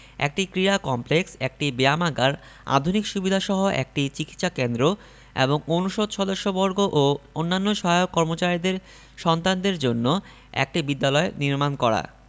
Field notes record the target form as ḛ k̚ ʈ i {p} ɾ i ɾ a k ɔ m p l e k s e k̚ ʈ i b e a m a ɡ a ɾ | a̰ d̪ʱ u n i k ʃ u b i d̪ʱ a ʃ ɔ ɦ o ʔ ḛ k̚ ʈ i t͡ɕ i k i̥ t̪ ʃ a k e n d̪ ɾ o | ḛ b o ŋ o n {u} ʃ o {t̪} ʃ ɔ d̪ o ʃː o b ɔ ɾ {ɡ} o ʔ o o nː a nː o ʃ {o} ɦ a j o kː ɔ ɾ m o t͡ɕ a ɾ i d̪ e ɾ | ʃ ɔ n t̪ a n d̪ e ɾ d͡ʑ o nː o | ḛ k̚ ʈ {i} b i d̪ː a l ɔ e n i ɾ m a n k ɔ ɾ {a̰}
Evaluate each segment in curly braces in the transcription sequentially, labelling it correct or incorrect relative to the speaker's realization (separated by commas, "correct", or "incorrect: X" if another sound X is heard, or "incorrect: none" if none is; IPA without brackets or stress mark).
incorrect: k, correct, incorrect: d̪, correct, incorrect: ɔ, correct, correct